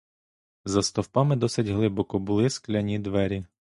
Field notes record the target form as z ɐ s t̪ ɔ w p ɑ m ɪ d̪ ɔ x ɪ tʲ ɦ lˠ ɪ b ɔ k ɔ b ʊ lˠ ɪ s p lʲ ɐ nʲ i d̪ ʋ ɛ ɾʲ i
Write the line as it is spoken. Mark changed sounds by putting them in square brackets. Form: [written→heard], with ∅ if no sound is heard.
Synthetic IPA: z ɐ s t̪ ɔ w p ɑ m ɪ d̪ ɔ [x→s] ɪ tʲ ɦ lˠ ɪ b ɔ k ɔ b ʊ lˠ ɪ s [p→k] lʲ ɐ nʲ i d̪ ʋ ɛ ɾʲ i